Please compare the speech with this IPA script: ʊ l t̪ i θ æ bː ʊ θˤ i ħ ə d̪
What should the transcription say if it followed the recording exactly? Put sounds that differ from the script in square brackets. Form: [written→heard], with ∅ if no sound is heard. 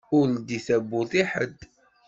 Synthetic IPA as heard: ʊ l [t̪→d̪] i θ æ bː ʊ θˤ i ħ ə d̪